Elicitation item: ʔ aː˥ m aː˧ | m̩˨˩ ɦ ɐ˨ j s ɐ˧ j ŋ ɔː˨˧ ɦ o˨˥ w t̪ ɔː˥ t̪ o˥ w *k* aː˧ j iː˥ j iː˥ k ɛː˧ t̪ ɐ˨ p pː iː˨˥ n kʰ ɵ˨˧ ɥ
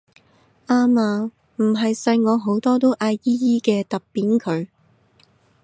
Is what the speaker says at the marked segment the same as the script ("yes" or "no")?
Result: no